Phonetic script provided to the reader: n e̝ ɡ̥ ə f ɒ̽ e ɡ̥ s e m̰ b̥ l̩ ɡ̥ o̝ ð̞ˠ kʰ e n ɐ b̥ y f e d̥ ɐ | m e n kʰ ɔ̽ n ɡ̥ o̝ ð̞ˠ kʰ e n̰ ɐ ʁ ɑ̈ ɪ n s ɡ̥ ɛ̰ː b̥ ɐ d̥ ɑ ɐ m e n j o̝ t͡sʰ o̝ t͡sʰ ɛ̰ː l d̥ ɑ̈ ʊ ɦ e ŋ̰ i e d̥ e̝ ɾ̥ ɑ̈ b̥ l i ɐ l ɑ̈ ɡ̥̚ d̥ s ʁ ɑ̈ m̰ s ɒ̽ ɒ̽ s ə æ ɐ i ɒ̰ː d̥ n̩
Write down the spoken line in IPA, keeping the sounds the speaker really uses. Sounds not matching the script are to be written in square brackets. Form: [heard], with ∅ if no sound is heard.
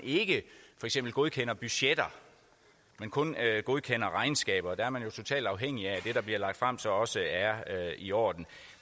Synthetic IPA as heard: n e̝ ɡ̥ ə f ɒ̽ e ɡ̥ s e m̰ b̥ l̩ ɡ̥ o̝ ð̞ˠ kʰ e n ɐ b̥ y [ɕ] e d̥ ɐ | m e n kʰ ɔ̽ n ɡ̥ o̝ ð̞ˠ kʰ e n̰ ɐ ʁ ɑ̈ ɪ n s ɡ̥ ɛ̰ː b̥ ɐ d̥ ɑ ɐ m [æ] n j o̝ t͡sʰ o̝ t͡sʰ ɛ̰ː l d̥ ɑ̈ ʊ ɦ e ŋ̰ i [æ] d̥ e̝ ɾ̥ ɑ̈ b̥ l i ɐ l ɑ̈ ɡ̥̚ d̥ [f] ʁ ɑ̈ m̰ s ɒ̽ ɒ̽ s ə æ ɐ i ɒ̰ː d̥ n̩

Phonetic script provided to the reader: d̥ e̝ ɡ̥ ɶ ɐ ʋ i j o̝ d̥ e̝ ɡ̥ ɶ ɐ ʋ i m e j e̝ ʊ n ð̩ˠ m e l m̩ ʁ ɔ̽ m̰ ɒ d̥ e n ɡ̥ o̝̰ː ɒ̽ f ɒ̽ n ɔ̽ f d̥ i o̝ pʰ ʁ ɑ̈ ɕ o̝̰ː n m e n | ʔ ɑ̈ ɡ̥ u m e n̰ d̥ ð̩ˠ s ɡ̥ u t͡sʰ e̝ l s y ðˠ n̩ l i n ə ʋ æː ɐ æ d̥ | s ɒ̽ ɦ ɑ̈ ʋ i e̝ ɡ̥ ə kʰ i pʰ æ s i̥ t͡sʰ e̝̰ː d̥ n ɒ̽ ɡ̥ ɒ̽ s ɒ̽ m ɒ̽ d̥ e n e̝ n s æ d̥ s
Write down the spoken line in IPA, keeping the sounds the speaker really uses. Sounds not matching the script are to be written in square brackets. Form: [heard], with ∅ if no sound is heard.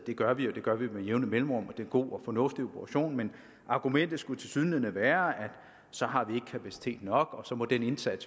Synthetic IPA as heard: d̥ e̝ ɡ̥ ɶ ɐ ʋ i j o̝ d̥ e̝ ɡ̥ ɶ ɐ ʋ i m e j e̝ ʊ n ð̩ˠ m e l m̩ ʁ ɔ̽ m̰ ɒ d̥ e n ɡ̥ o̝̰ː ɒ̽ f ɒ̽ n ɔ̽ f d̥ i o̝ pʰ ʁ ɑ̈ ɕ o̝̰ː n m e n | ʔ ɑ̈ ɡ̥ u m e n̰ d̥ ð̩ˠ s ɡ̥ u t͡sʰ e̝ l s y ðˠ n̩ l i n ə ʋ æː ɐ æ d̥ | s ɒ̽ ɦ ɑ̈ ʋ i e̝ ɡ̥ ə kʰ [æ] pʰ æ s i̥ t͡sʰ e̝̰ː d̥ n ɒ̽ ɡ̥ ɒ̽ s ɒ̽ m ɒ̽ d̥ e n e̝ n s æ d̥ s

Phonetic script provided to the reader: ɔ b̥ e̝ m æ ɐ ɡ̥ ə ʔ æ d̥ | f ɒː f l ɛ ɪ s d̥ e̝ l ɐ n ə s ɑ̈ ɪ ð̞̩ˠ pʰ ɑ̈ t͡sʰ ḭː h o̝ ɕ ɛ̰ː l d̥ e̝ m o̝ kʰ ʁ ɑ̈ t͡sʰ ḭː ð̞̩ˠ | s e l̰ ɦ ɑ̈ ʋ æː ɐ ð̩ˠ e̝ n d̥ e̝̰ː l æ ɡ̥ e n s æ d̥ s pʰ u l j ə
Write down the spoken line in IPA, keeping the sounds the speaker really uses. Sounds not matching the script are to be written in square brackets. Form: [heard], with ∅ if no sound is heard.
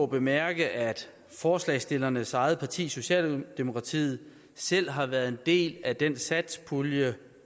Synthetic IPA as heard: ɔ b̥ e̝ m æ ɐ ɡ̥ ə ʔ æ d̥ | f ɒː [s] l ɛ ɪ s d̥ e̝ l ɐ n ə s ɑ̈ ɪ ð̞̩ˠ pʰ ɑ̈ t͡sʰ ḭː [s] o̝ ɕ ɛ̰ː l d̥ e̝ m o̝ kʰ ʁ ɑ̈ t͡sʰ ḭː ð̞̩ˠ | s e l̰ ɦ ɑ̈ ʋ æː ɐ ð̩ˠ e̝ n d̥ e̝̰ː l æ [d̥] e n s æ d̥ s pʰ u l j ə

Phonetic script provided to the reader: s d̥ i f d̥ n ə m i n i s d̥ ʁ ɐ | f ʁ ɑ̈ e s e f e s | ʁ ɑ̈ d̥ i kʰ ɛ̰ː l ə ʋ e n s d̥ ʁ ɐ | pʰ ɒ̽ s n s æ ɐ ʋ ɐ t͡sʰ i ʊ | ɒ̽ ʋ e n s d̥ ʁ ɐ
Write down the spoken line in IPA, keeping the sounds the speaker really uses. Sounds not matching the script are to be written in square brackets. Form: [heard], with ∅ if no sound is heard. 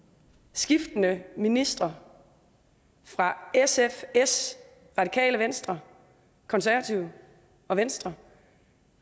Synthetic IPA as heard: s [ɡ̥] i f d̥ n ə m i n i s d̥ ʁ ɐ | f ʁ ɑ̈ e s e f e s | ʁ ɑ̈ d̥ i kʰ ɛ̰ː l ə ʋ e n s d̥ ʁ ɐ | [kʰ] ɒ̽ [∅] n s æ ɐ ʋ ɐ t͡sʰ i ʊ | ɒ̽ ʋ e n s d̥ ʁ ɐ

